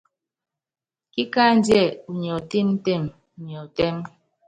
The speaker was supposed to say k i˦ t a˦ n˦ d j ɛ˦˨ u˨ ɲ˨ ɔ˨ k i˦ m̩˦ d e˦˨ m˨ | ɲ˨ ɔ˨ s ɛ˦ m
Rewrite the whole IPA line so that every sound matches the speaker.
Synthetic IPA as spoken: k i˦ k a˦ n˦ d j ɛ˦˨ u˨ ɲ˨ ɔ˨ t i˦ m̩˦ t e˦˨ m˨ | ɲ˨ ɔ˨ t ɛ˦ m

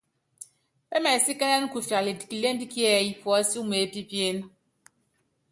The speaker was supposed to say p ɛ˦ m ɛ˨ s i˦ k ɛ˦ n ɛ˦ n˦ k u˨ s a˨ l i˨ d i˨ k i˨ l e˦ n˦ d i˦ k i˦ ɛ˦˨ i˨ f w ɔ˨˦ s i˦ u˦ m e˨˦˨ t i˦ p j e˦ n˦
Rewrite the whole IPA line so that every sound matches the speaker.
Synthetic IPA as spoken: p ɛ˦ m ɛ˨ s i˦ k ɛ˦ n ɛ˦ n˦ k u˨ f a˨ l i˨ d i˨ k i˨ l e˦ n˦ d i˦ k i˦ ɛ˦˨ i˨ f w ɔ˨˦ s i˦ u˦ m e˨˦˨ p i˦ p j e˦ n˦

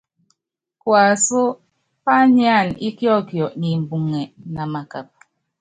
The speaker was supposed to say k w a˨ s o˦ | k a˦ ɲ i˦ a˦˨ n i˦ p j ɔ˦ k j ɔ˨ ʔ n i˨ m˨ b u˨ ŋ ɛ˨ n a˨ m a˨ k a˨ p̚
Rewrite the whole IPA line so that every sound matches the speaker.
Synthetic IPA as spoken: k w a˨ s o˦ | p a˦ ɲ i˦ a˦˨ n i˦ k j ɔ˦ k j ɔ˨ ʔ n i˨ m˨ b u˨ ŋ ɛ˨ n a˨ m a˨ k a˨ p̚

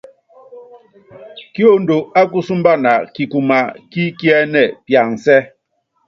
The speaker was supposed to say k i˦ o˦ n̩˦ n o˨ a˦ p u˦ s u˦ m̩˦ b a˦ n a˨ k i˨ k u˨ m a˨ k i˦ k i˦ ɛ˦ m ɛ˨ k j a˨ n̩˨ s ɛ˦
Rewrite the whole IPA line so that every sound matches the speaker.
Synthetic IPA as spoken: k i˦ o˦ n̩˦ d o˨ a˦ k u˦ s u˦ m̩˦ b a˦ n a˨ k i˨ k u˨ m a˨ k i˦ k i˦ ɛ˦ n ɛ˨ p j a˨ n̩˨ s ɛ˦

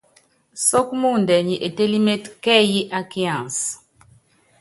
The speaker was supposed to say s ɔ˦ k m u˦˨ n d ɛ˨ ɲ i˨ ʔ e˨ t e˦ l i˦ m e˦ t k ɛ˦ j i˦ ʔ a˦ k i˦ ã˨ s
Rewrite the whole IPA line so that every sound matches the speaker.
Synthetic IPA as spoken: s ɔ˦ k m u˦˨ n d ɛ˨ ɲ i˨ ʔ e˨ t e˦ l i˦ m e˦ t k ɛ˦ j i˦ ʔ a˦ k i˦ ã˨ s

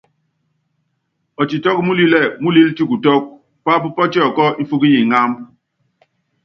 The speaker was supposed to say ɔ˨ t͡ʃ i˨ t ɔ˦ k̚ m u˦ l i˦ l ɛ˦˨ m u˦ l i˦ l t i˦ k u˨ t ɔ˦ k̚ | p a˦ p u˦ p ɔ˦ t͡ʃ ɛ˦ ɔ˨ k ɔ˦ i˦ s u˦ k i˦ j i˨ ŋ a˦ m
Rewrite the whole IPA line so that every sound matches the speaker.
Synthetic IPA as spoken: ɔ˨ t͡ʃ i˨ t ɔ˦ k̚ m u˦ l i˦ l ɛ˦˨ m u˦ l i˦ l t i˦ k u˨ t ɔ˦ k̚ | p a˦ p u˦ p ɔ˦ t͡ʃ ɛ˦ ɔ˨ k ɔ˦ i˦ f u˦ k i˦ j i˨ ŋ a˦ m

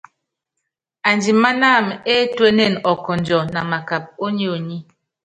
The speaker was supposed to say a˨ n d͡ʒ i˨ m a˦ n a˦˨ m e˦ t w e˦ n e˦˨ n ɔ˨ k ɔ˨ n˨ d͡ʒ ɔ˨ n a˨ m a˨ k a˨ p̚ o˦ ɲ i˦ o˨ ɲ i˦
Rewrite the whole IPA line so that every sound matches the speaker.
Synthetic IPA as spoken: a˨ n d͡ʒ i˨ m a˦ n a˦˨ m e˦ t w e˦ n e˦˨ n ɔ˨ k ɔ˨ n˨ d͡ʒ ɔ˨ n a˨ m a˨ k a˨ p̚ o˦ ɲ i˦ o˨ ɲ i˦

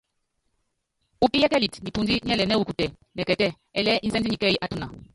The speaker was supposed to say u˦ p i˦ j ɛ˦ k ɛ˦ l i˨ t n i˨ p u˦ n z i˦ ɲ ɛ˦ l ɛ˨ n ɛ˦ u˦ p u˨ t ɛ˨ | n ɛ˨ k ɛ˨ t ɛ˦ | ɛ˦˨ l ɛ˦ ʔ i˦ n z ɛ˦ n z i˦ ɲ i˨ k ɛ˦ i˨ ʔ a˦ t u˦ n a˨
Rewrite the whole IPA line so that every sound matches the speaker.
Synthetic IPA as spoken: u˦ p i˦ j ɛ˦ k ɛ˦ l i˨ t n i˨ p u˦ n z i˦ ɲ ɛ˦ l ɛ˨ n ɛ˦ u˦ k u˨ t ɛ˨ | n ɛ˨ k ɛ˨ t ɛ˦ | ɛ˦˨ l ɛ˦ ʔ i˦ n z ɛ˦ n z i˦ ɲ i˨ k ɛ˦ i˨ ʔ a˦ t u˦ n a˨

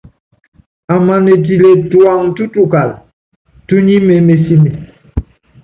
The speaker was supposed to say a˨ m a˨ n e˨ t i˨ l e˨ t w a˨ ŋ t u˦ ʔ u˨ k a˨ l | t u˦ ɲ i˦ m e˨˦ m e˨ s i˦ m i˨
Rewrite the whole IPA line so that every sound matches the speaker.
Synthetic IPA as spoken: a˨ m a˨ n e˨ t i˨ l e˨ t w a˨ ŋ t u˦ t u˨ k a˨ l | t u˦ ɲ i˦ m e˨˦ m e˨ s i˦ m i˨

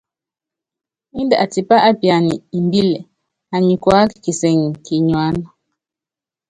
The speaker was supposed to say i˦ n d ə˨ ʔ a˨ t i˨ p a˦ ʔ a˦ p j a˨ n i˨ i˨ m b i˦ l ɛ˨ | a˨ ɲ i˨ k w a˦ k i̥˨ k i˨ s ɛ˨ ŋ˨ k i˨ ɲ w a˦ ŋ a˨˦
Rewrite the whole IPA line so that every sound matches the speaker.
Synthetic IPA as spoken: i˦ n d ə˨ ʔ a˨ t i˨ p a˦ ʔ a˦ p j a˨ n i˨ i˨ m b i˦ l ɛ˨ | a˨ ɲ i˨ k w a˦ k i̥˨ k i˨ s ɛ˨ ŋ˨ k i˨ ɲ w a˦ n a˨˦

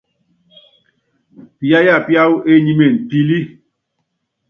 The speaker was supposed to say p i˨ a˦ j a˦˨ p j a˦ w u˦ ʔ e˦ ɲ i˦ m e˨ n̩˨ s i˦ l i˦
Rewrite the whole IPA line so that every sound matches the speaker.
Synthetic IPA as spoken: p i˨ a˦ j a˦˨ p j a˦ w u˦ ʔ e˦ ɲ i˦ m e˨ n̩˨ t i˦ l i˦

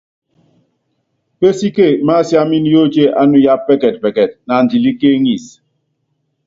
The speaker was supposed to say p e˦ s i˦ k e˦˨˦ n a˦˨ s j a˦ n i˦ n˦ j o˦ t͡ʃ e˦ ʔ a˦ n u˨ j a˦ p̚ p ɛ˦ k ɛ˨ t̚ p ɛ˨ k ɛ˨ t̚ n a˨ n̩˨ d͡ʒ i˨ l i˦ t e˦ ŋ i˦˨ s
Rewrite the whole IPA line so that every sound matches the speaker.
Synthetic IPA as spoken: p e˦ s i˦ k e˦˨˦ m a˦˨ s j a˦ m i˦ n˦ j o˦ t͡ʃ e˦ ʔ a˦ n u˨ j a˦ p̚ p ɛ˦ k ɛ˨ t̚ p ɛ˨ k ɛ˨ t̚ n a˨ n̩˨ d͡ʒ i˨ l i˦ k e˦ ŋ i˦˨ s

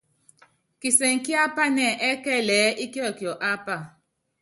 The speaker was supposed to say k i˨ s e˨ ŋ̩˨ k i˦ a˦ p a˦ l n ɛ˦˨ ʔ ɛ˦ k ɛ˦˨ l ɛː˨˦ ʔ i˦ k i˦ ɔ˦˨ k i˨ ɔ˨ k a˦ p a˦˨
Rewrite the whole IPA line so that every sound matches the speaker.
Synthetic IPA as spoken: k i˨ s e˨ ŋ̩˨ k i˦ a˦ p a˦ n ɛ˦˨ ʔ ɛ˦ k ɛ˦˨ l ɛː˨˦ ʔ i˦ k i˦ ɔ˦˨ k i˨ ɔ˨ ʔ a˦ p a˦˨

